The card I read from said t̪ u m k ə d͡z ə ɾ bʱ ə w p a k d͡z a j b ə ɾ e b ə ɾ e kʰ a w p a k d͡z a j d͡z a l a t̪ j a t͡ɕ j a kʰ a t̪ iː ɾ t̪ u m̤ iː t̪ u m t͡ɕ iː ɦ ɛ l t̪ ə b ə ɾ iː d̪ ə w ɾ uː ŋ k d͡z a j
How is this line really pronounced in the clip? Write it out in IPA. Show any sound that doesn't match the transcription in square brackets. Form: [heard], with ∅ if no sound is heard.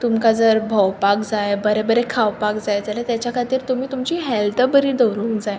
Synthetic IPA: t̪ u m k [a] d͡z ə ɾ bʱ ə w p a k d͡z a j b ə ɾ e b ə ɾ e kʰ a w p a k d͡z a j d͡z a l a t̪ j a t͡ɕ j a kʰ a t̪ iː ɾ t̪ u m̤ iː t̪ u m t͡ɕ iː ɦ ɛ l t̪ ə b ə ɾ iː d̪ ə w ɾ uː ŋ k d͡z a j